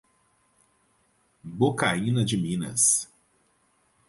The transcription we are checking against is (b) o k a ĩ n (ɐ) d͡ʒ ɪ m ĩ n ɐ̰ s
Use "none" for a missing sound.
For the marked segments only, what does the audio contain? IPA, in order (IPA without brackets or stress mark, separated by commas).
b, ɐ